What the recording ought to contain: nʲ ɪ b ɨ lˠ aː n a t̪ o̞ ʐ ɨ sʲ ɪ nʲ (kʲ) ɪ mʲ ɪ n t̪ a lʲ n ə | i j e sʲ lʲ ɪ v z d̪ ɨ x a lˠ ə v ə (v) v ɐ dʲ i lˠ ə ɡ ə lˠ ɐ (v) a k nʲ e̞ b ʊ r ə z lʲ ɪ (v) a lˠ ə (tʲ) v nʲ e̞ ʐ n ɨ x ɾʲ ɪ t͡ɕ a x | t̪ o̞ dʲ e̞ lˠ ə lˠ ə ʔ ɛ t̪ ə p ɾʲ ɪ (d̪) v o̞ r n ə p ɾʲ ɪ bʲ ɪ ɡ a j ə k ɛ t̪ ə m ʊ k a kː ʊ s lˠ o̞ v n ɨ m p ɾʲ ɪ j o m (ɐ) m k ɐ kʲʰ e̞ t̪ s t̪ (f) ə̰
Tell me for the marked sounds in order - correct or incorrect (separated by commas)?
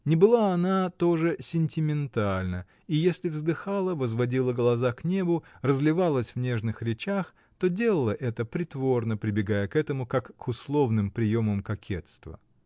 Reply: incorrect, incorrect, incorrect, correct, incorrect, incorrect, incorrect, incorrect